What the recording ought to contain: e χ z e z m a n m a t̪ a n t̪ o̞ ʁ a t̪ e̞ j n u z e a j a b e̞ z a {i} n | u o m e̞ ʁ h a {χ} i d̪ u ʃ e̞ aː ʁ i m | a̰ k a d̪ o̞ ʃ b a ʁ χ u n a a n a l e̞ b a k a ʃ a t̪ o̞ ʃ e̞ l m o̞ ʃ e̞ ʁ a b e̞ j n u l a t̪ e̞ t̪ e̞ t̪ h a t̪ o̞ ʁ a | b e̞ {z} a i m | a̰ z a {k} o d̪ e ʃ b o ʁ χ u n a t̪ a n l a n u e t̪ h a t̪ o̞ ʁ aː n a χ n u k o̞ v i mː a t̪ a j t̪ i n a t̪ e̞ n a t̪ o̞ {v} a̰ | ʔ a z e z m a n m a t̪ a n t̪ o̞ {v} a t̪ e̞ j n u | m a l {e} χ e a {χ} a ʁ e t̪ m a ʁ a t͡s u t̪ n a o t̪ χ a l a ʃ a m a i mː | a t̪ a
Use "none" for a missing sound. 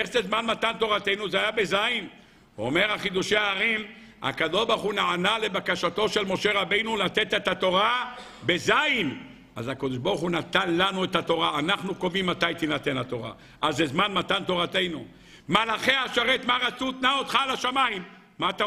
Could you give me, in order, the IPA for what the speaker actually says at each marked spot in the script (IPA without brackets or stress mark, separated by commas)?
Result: i, χ, z, k, ʁ, ʁ, a, ʃ